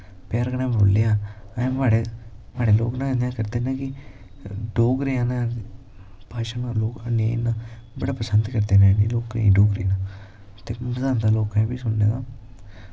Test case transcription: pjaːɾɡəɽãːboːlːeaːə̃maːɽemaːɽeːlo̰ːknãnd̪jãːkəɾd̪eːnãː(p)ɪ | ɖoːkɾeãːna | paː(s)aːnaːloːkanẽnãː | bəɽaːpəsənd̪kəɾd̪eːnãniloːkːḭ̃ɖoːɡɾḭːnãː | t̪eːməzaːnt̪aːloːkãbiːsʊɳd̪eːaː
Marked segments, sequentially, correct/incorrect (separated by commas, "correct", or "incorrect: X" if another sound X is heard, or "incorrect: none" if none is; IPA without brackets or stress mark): incorrect: k, incorrect: ʃ